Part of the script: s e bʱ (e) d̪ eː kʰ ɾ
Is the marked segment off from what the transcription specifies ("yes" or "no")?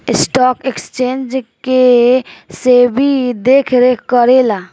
yes